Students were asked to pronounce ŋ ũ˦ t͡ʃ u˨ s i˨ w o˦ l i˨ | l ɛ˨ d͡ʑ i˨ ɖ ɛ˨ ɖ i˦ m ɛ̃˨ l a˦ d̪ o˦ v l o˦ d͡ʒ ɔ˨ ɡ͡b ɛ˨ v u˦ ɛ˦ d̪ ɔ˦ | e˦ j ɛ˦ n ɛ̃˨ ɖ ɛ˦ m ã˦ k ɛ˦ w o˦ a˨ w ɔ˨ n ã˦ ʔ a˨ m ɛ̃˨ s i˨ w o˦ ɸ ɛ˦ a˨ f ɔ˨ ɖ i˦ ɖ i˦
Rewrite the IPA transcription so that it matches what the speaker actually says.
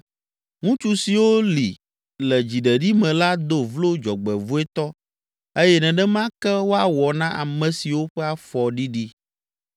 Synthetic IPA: ŋ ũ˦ t͡ʃ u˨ s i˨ w o˦ l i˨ | l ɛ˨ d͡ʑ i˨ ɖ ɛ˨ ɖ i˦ m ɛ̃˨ l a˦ d̪ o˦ v l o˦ d͡ʒ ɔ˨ ɡ͡b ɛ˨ v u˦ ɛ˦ t̪ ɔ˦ | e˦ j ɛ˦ n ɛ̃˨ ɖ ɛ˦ m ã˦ k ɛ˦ w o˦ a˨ w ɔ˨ n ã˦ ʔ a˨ m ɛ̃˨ s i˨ w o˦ ɸ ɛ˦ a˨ f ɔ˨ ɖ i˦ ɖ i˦